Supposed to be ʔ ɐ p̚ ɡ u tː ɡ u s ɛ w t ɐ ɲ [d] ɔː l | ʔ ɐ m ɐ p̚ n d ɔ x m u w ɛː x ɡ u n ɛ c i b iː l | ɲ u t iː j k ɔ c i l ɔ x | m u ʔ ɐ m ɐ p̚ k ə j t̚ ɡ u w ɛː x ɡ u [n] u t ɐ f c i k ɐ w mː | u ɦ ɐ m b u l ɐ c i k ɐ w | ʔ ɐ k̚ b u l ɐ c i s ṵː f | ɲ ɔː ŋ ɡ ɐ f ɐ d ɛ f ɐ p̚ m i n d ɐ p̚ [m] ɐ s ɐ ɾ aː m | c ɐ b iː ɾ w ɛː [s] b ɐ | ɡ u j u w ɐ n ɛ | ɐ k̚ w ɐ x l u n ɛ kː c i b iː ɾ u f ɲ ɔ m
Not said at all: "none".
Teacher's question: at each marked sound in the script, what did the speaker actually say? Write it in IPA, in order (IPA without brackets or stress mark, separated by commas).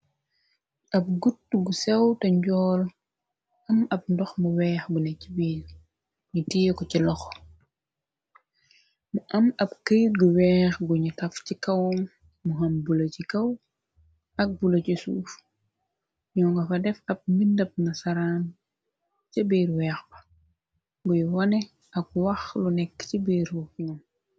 ɟ, ɲ, n, x